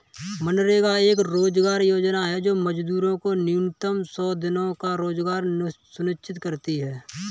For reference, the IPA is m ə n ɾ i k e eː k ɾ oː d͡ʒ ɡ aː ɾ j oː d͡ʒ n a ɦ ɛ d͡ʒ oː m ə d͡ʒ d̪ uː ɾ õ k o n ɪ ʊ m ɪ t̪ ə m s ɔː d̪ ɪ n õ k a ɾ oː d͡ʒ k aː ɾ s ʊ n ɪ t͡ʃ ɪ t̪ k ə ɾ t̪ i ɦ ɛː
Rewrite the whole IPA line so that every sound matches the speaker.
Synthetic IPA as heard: m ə n ɾ e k a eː k ɾ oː d͡ʒ ɡ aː ɾ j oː d͡ʒ n a ɦ ɛ d͡ʒ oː m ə d͡ʒ d̪ uː ɾ õ k o n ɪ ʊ n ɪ t̪ ə m s ɔː d̪ ɪ n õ k a ɾ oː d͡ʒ ɡ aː ɾ s ʊ n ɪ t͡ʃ ɪ t̪ k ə ɾ t̪ i ɦ ɛː